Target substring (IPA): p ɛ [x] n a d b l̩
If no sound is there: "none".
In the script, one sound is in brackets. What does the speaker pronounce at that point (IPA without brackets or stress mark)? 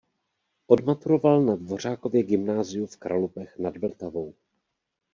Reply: x